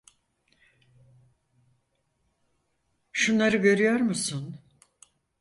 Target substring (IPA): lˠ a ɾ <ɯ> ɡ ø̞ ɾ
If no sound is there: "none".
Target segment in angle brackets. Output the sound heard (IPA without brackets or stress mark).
ɯ